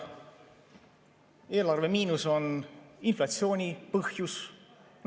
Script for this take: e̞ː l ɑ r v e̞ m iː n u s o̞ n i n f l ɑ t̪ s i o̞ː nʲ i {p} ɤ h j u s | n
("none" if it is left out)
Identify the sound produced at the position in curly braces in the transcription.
p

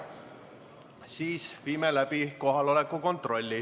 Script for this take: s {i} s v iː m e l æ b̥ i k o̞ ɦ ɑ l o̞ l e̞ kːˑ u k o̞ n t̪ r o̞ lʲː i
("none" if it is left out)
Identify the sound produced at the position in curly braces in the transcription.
iː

